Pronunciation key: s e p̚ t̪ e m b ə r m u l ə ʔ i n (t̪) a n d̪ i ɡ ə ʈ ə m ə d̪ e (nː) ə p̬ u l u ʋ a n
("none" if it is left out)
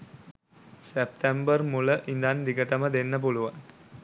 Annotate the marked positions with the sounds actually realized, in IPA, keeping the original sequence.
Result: d̪, nː

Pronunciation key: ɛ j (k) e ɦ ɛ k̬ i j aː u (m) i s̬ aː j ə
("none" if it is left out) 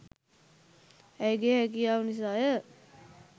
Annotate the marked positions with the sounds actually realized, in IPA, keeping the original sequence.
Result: ɡ, n

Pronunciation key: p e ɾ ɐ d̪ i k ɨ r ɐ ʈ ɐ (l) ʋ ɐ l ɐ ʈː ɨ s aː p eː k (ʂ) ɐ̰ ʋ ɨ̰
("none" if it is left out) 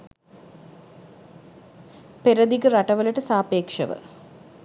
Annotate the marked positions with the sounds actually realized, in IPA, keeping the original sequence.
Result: none, ʂ

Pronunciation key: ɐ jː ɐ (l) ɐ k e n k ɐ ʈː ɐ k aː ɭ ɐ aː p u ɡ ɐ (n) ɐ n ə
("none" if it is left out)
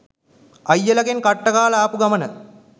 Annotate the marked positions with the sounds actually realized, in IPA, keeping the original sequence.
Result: l, m

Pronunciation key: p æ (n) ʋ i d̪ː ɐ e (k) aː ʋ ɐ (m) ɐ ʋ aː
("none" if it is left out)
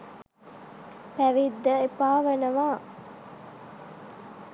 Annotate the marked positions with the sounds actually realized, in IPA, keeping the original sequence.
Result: none, p, n

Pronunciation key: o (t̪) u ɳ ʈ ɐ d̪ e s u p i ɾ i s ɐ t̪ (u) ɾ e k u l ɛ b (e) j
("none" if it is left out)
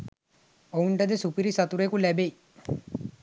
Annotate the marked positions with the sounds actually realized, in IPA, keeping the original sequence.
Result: none, u, e

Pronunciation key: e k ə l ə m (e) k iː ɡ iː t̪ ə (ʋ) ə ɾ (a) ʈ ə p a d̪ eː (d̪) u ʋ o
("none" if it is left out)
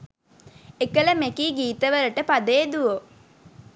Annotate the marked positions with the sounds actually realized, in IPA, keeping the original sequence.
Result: e, ʋ, ə, d̪

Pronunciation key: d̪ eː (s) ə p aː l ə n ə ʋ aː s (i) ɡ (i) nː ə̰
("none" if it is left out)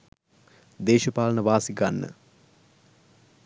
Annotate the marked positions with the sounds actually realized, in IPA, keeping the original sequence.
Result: ʃ, i, a

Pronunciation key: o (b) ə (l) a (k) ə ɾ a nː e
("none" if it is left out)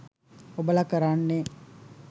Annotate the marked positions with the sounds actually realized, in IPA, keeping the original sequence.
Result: b, l, k

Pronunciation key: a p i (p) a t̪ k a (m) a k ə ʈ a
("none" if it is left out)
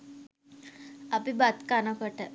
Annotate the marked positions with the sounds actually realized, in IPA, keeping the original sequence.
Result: b, n

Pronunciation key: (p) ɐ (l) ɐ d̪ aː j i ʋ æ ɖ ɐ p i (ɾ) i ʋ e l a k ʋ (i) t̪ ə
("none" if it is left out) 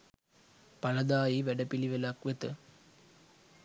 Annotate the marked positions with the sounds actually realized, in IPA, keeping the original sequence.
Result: p, l, l, e

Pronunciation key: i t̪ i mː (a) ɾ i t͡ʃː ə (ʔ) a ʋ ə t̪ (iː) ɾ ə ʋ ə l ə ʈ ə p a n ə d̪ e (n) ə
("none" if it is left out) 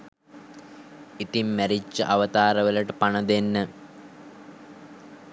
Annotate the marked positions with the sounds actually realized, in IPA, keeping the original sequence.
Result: æ, ʔ, aː, nː

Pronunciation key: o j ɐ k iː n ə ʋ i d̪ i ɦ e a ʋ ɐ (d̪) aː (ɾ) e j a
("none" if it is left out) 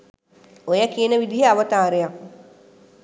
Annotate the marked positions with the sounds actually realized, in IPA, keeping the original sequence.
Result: t̪, ɾ

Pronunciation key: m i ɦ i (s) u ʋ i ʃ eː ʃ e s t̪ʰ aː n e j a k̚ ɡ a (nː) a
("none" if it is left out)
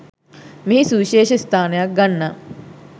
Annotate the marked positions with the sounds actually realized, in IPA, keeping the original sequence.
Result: s, nː

